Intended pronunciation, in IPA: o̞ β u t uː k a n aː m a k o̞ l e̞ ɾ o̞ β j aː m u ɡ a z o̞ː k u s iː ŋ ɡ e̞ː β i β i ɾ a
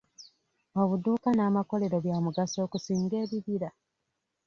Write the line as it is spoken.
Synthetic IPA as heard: o̞ β u d uː k a n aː m a k o̞ l e̞ ɾ o̞ β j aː m u ɡ a s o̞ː k u s iː ŋ ɡ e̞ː β i β i ɾ a